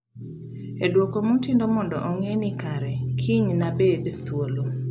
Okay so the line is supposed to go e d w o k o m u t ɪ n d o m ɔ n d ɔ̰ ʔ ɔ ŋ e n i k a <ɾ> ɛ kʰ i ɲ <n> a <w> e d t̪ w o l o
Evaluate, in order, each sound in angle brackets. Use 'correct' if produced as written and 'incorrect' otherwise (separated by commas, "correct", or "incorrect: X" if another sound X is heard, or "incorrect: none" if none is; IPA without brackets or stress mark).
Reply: correct, correct, incorrect: b